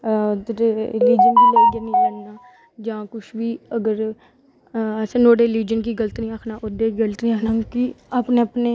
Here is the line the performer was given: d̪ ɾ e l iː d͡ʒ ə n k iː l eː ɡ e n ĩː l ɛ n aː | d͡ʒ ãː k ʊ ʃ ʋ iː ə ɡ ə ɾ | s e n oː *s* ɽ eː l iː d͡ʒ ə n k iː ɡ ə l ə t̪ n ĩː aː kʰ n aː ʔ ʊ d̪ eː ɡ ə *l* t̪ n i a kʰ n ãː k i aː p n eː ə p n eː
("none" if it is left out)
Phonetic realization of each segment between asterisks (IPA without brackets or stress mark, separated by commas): none, l